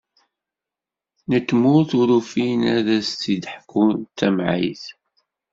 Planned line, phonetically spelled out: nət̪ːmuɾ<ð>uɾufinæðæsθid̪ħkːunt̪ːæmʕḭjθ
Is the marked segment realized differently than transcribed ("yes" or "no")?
yes